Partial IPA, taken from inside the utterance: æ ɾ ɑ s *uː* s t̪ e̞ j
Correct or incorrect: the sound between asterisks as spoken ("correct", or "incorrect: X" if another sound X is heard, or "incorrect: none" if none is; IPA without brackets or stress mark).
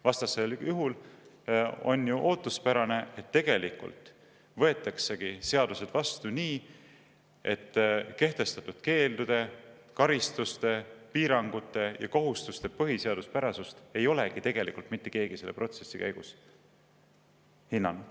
incorrect: u